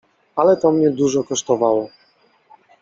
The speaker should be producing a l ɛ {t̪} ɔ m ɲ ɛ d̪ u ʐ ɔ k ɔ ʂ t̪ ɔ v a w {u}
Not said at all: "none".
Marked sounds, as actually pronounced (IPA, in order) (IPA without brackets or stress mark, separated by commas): t̪, ɔ